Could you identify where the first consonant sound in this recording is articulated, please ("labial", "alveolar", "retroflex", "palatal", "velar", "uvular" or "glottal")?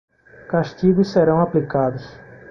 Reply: velar